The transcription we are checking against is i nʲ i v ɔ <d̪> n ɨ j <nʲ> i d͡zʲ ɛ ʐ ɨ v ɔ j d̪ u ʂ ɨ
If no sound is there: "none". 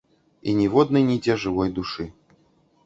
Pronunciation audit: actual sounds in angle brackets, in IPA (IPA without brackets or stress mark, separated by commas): d̪, nʲ